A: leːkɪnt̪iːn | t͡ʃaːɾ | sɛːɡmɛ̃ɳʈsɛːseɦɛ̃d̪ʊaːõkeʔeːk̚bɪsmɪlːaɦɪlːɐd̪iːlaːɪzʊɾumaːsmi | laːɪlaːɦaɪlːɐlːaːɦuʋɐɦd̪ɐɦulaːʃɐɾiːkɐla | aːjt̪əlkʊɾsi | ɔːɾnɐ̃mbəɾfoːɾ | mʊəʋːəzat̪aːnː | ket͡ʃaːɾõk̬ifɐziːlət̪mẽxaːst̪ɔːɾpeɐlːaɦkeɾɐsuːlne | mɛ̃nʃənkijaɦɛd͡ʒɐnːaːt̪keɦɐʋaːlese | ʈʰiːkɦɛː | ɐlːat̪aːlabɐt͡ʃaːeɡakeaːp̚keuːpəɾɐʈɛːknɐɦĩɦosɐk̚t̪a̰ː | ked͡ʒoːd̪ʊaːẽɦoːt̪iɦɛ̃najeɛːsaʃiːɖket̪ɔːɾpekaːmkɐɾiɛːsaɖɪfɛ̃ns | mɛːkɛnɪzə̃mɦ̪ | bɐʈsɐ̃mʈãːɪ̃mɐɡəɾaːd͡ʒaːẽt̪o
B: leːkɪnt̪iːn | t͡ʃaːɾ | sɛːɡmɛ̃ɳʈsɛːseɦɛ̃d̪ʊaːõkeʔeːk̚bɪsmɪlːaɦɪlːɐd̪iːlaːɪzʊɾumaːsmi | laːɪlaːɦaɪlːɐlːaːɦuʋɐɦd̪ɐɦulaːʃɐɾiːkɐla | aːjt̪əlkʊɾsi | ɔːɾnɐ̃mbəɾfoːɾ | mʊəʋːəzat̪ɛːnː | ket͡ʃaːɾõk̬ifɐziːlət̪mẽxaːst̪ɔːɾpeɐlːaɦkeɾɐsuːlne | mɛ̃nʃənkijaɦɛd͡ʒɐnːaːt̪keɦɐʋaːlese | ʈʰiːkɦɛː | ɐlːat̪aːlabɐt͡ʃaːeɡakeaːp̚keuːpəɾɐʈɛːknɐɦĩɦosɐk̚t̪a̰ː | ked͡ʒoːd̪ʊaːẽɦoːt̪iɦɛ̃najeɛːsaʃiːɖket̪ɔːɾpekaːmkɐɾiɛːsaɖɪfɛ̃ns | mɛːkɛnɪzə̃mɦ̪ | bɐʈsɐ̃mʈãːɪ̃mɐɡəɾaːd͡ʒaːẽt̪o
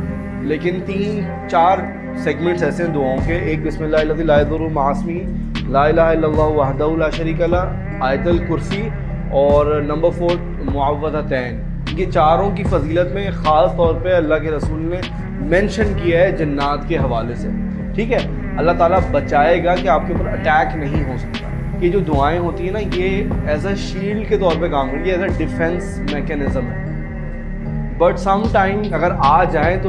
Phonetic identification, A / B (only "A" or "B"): B